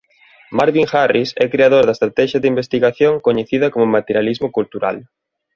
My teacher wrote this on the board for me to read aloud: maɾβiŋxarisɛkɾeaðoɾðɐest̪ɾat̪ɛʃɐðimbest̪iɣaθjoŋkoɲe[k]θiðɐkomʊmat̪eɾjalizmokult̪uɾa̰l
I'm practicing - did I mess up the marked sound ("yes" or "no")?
yes